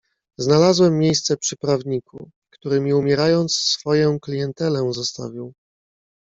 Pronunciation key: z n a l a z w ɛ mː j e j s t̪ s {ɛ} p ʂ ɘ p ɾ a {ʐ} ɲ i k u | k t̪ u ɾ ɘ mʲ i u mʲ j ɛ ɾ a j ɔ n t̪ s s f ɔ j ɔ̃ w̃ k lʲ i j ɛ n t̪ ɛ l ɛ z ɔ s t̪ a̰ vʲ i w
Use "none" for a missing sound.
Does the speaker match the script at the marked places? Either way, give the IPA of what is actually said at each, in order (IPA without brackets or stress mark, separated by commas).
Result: ɛ, v